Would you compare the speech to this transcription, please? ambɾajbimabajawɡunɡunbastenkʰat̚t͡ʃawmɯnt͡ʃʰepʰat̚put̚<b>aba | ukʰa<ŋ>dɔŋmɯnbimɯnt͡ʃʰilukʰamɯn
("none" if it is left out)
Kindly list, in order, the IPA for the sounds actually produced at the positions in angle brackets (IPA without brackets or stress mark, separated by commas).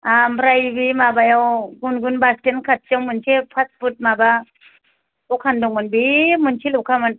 m, n